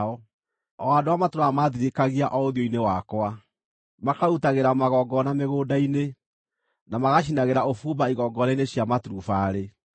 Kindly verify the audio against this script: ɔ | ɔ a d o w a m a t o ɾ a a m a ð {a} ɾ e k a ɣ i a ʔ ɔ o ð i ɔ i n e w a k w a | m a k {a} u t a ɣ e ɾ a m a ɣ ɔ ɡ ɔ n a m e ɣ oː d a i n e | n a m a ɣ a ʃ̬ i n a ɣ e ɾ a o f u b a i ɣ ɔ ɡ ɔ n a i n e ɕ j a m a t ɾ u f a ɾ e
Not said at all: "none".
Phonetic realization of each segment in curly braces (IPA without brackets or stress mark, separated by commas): i, a